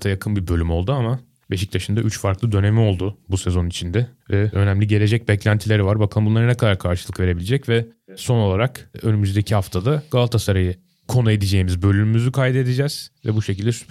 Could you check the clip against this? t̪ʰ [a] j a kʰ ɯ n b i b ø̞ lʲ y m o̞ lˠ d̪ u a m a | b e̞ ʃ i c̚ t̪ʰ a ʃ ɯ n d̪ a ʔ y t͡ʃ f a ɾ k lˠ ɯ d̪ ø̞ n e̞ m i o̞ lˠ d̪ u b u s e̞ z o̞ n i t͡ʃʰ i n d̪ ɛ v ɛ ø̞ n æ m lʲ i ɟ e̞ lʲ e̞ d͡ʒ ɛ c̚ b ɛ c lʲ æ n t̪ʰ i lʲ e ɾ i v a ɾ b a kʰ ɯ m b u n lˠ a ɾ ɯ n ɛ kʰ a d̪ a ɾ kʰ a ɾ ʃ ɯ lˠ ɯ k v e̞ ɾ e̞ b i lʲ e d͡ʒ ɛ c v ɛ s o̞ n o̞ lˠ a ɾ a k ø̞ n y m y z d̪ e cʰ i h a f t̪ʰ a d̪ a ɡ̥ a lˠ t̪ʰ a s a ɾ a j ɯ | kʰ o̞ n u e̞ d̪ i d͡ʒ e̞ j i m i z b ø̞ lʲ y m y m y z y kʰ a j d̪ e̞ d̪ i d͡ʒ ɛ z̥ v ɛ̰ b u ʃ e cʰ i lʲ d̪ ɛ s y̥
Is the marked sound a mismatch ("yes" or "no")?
no